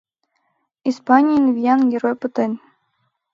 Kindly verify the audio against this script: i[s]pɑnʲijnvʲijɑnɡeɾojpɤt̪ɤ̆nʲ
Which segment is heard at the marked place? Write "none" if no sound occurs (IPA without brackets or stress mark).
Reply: s